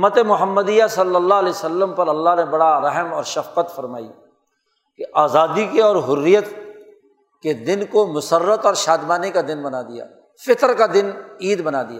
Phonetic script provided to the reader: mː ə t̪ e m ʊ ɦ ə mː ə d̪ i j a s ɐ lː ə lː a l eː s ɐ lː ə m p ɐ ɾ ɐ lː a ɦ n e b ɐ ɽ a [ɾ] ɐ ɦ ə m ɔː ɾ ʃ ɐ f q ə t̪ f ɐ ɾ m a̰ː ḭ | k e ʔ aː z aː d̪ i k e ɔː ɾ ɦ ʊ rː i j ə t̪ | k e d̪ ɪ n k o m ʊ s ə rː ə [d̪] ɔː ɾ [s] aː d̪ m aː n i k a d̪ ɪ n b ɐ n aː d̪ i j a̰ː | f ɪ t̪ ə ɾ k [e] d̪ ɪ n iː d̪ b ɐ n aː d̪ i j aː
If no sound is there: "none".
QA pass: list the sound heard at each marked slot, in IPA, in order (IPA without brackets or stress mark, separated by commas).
ɾ, t̪, ʃ, a